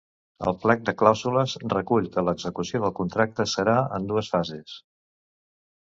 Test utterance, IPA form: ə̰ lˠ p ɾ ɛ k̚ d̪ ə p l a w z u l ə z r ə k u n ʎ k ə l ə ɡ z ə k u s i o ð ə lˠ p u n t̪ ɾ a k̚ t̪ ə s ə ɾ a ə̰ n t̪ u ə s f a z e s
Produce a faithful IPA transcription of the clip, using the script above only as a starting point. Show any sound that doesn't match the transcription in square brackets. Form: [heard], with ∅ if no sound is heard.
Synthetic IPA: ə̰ lˠ p [l] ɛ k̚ d̪ ə [k] l a w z u l ə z r ə k u [∅] ʎ k ə l ə ɡ z ə k u s i o ð ə lˠ [k] u n t̪ ɾ a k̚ t̪ ə s ə ɾ a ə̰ n [d̪] u ə s f a z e s